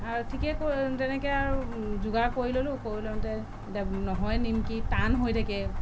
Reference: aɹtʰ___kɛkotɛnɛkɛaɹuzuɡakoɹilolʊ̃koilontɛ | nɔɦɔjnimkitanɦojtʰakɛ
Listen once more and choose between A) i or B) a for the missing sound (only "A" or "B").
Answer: A